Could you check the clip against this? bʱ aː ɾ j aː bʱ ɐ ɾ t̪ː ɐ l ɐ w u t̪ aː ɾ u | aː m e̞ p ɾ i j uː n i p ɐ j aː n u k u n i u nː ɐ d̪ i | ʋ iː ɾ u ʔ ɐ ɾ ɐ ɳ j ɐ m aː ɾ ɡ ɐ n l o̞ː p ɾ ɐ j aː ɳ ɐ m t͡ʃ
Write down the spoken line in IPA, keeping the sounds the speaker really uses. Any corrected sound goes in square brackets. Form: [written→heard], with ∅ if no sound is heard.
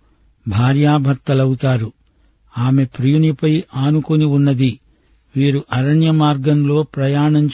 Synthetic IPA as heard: bʱ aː ɾ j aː bʱ ɐ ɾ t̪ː ɐ l ɐ w u t̪ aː ɾ u | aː m e̞ p ɾ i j [uː→u] n i p ɐ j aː n u k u n i u nː ɐ d̪ i | ʋ iː ɾ u ʔ ɐ ɾ ɐ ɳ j ɐ m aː ɾ ɡ ɐ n l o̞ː p ɾ ɐ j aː ɳ ɐ [m→ɲ] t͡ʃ